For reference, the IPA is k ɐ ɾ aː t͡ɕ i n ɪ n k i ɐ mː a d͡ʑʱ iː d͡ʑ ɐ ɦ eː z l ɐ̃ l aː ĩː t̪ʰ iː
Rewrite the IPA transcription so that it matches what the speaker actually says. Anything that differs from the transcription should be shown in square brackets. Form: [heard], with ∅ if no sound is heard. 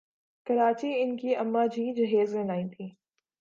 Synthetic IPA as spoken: k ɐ ɾ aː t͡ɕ i [∅] ɪ n k i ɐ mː a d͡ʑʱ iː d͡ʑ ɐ ɦ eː z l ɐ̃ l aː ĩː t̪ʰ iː